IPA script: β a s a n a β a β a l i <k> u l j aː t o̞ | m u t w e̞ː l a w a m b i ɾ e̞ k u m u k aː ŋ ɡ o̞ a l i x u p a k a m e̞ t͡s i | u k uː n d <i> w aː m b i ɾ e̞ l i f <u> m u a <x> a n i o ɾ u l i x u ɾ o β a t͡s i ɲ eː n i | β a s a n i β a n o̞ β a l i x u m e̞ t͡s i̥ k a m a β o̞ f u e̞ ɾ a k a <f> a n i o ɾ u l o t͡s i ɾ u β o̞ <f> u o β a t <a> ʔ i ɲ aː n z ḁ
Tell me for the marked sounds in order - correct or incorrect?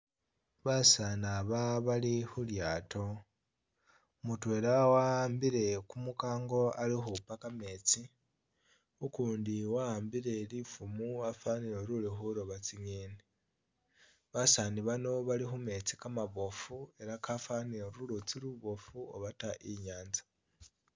incorrect: x, correct, correct, incorrect: f, correct, correct, correct

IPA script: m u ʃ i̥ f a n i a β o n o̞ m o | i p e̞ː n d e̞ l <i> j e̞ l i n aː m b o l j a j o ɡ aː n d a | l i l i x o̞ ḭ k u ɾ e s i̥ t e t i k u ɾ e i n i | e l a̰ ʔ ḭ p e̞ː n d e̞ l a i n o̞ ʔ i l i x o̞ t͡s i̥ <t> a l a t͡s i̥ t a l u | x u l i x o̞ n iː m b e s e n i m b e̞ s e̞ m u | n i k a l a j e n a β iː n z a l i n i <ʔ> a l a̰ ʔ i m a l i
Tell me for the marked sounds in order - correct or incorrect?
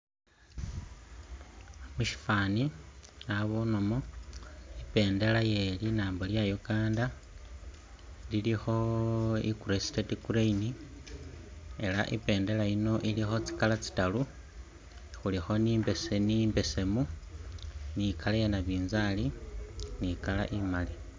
incorrect: a, incorrect: k, incorrect: k

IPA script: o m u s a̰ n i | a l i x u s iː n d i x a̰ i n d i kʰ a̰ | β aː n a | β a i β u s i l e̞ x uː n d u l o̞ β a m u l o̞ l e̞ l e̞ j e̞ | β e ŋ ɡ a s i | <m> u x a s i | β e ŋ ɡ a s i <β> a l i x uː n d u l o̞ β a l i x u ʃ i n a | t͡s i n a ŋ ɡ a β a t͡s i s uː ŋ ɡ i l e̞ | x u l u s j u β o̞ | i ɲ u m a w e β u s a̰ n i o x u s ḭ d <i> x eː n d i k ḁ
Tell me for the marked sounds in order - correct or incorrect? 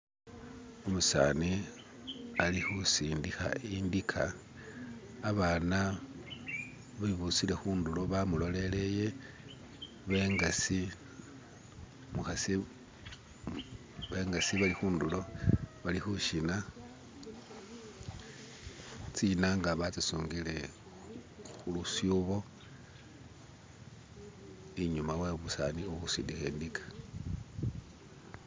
correct, correct, correct

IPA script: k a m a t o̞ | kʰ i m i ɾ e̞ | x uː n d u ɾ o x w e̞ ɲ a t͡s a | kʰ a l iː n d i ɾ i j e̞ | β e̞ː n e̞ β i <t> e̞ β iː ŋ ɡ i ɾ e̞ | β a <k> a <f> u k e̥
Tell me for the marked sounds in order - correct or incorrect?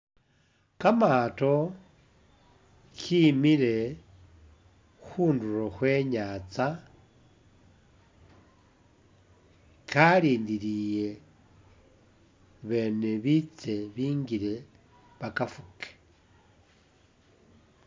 incorrect: t͡s, correct, correct

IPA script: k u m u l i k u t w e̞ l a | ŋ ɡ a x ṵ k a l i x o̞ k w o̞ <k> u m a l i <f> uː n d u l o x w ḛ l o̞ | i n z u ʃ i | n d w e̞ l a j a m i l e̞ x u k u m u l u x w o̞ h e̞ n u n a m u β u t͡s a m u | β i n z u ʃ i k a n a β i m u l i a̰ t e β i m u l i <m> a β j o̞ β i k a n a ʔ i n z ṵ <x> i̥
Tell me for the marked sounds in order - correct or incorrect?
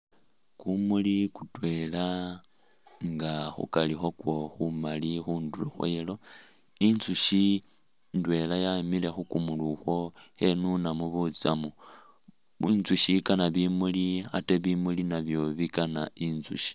incorrect: x, incorrect: x, incorrect: n, incorrect: ʃ

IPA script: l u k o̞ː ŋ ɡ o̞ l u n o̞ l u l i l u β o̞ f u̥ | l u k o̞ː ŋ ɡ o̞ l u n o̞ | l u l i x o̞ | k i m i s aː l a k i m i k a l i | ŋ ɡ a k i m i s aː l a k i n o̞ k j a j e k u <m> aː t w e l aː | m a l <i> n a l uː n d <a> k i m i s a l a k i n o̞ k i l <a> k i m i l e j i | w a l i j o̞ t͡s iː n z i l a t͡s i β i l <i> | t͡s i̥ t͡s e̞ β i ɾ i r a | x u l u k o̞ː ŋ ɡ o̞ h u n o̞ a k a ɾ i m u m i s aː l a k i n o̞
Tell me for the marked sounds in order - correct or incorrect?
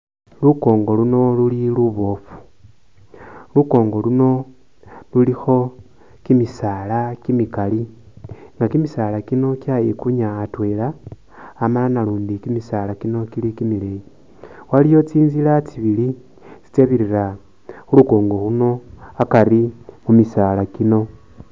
incorrect: ɲ, incorrect: a, incorrect: i, incorrect: i, correct

